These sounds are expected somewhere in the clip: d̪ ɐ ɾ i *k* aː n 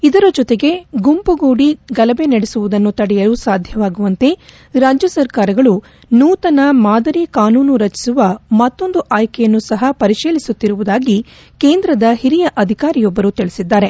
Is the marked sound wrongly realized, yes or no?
no